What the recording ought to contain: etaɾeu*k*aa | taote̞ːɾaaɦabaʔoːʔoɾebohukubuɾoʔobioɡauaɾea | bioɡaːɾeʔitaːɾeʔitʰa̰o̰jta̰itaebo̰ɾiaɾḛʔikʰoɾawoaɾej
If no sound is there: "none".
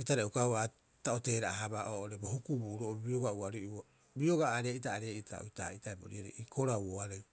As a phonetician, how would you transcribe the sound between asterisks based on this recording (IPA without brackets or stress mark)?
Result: k